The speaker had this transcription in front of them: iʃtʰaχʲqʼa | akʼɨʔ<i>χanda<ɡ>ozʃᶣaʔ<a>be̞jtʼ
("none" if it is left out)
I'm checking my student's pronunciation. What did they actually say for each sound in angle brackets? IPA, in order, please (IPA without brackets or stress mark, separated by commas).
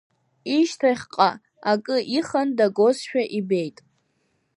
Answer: i, ɡ, i